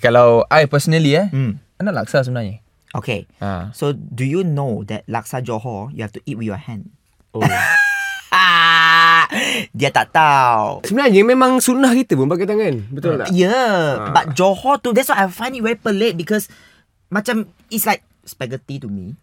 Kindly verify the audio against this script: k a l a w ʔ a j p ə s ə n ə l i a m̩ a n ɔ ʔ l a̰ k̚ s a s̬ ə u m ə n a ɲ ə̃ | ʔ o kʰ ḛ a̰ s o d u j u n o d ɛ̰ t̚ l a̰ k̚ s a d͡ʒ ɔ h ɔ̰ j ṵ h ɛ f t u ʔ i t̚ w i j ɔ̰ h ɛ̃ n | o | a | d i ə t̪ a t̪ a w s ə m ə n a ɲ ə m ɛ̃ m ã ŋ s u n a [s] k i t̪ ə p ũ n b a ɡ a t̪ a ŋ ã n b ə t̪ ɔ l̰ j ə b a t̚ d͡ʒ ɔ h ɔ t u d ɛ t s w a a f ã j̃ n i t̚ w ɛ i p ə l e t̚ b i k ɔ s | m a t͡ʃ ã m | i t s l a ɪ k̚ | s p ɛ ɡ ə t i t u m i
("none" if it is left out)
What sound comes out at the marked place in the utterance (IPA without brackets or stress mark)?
h